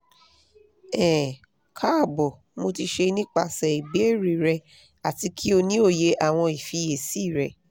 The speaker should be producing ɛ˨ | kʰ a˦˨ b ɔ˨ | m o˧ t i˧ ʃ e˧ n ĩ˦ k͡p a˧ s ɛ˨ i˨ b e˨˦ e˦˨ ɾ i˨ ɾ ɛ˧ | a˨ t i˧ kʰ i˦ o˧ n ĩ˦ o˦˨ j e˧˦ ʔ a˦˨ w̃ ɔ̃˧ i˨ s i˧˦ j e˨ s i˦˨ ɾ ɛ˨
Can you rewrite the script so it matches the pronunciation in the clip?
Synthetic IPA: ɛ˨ | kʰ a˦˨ b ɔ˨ | m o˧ t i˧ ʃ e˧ n ĩ˦ k͡p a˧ s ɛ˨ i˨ b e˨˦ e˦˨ ɾ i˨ ɾ ɛ˧ | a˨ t i˧ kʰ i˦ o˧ n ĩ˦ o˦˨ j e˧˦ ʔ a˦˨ w̃ ɔ̃˧ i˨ f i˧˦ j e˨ s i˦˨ ɾ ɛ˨